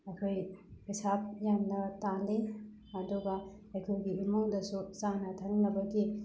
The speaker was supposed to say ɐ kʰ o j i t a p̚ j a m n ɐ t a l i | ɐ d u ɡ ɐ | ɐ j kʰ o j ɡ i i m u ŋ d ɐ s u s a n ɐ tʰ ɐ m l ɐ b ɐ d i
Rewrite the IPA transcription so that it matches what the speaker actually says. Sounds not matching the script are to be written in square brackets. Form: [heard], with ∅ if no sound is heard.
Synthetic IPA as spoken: ɐ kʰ o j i [s] a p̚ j a m n ɐ t a l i | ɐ d u ɡ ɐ | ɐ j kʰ o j ɡ i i m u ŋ d ɐ s u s a n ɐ tʰ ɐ [ŋ] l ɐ b ɐ [ɡ] i

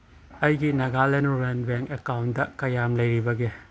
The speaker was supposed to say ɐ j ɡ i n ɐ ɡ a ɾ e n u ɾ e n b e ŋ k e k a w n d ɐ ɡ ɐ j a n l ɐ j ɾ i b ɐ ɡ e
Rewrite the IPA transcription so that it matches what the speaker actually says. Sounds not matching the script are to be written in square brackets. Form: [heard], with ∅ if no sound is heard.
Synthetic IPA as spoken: ɐ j ɡ i n ɐ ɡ a [l] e n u ɾ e n b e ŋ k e k a w n d ɐ [k] ɐ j a [m] l ɐ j ɾ i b ɐ ɡ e

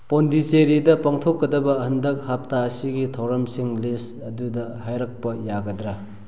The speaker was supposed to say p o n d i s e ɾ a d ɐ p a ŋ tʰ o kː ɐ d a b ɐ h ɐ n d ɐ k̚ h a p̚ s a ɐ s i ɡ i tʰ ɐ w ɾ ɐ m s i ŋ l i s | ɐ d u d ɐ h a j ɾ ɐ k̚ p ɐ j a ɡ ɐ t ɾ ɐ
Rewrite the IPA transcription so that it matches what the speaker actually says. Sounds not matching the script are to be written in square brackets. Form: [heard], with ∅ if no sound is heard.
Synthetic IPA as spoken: p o n d i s e ɾ [i] d ɐ p a ŋ tʰ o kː ɐ d [ɐ] b ɐ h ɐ n d ɐ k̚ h a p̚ [t] a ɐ s i ɡ i tʰ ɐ w ɾ ɐ m s i ŋ l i s | ɐ d u d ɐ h a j ɾ ɐ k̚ p ɐ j a ɡ ɐ [d] ɾ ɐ

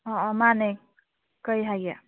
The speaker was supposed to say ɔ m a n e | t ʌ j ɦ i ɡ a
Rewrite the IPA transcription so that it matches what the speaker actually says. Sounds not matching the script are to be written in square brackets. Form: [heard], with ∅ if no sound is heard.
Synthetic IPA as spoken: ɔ m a n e | [k] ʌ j ɦ [a] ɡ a

